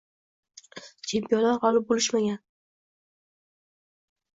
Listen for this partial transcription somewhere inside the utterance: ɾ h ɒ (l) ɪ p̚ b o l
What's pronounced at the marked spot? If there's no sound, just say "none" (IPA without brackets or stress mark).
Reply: l